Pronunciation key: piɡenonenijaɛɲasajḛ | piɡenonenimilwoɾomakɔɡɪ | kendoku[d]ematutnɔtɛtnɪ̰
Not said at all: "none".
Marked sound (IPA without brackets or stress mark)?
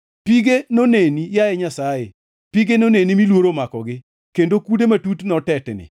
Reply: d